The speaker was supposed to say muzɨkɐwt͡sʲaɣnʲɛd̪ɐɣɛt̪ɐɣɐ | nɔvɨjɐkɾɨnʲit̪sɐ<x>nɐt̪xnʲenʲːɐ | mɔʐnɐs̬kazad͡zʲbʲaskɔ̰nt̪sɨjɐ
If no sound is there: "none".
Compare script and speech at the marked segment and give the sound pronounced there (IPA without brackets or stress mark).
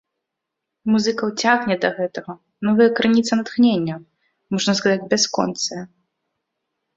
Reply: none